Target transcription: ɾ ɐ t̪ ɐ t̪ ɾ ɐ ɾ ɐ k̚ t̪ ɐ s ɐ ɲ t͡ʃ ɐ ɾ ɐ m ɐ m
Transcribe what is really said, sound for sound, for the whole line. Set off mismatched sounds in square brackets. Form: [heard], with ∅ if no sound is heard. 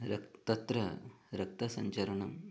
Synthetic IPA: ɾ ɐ t̪ ɐ t̪ ɾ ɐ ɾ ɐ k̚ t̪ ɐ s ɐ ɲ t͡ʃ ɐ ɾ ɐ [ɳ] ɐ m